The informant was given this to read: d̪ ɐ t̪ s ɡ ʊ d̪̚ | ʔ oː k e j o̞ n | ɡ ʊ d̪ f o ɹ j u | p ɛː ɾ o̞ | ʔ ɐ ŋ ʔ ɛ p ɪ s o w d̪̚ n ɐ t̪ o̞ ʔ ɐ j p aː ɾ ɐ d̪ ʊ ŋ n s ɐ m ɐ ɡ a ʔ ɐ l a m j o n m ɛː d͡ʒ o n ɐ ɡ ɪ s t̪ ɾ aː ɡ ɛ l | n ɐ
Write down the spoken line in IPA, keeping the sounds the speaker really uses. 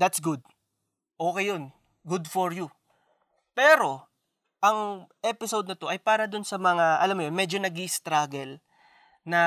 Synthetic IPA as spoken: d̪ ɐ t̪ s ɡ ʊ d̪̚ | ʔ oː k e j o̞ n | ɡ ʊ d̪ f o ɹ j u | p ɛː ɾ o̞ | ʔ ɐ ŋ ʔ ɛ p ɪ s o w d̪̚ n ɐ t̪ o̞ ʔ ɐ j p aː ɾ ɐ d̪ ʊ n s ɐ m ɐ ŋ a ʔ ɐ l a m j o n m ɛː d͡ʒ o n ɐ ɡ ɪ s t̪ ɾ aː ɡ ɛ l | n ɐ